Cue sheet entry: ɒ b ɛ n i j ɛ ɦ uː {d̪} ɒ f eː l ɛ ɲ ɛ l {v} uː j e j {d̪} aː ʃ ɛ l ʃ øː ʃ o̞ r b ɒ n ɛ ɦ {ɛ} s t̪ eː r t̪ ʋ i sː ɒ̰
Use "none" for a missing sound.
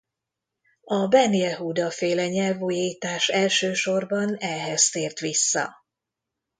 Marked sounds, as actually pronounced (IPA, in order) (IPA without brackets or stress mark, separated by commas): d̪, v, t̪, ɛ